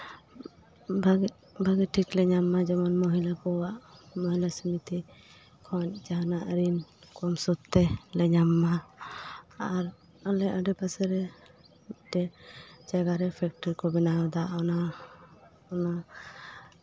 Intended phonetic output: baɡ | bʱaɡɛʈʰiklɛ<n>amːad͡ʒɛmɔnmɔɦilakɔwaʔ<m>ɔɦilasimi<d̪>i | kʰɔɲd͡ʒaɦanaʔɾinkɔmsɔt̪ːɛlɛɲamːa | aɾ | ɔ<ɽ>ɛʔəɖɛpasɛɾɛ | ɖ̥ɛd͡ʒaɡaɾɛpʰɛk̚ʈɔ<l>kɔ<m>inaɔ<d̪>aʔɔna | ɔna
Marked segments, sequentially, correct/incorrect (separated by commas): incorrect, correct, incorrect, incorrect, incorrect, incorrect, correct